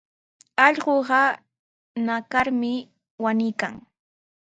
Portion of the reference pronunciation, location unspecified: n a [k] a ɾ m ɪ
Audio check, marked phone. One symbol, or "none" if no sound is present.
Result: k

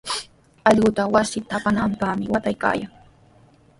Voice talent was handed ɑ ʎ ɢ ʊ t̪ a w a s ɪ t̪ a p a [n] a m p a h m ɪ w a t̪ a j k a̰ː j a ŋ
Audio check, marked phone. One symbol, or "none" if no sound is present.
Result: n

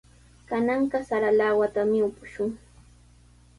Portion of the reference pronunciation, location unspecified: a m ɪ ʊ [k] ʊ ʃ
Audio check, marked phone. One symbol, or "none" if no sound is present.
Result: p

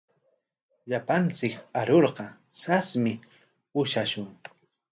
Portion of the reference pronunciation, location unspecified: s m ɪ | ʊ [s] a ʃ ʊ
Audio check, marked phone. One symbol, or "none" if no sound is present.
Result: ʃ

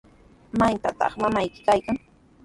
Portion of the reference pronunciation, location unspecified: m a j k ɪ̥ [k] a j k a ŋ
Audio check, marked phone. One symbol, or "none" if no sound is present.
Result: k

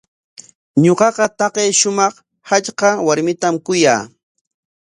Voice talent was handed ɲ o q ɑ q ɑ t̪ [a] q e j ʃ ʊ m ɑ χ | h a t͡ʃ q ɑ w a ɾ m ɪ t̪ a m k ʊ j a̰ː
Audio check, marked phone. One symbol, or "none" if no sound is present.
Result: ɑ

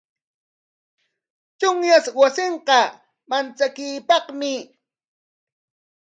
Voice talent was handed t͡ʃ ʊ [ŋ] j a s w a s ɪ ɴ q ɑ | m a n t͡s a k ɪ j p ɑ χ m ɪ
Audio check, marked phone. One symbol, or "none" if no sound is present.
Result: ŋ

